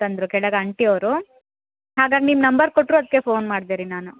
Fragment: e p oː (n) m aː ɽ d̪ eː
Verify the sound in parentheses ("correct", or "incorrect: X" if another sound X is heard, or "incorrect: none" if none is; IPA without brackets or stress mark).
correct